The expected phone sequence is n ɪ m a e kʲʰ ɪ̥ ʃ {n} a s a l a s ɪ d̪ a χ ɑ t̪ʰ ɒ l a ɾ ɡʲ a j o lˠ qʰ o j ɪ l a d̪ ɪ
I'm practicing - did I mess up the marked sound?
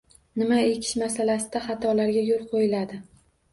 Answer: yes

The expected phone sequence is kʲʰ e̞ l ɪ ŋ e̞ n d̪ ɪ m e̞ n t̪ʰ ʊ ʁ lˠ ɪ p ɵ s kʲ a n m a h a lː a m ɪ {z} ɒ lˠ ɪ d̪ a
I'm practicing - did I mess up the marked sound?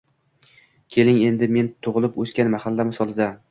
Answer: yes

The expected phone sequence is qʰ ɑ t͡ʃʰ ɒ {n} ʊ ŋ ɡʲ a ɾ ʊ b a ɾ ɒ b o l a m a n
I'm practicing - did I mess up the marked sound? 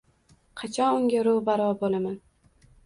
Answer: no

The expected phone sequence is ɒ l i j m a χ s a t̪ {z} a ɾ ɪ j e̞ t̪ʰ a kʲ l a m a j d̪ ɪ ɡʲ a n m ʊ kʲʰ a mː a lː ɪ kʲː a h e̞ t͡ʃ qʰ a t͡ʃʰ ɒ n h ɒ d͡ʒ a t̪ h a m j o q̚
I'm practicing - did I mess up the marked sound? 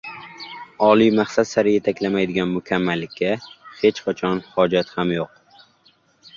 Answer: yes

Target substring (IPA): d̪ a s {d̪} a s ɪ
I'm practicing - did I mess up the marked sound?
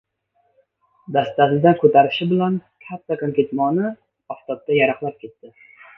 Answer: yes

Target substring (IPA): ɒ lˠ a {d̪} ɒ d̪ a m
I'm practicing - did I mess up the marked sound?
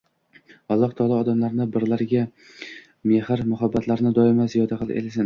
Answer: yes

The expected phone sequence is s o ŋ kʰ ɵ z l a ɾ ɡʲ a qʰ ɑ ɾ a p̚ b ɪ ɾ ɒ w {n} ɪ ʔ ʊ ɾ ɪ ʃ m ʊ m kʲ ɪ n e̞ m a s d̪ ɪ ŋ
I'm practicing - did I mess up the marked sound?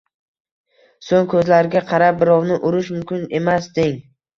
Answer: no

